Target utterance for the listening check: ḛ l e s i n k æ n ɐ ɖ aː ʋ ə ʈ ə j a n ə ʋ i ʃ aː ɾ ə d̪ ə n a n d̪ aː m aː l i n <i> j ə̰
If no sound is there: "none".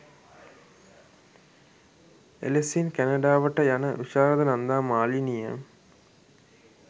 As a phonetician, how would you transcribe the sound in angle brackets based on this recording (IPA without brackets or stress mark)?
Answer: i